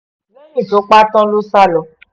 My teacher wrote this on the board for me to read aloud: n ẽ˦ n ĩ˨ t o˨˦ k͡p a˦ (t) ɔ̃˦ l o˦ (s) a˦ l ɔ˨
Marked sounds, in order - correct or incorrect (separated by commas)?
correct, correct